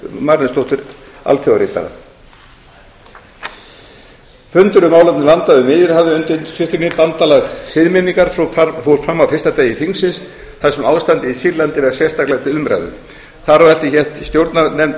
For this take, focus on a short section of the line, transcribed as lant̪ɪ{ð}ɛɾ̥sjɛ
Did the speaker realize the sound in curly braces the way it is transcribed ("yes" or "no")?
no